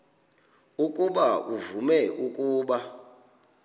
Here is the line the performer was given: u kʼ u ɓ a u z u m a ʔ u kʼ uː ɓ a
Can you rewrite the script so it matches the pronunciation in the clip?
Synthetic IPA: u kʼ u ɓ a u v u m ɛ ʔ u kʼ uː ɓ a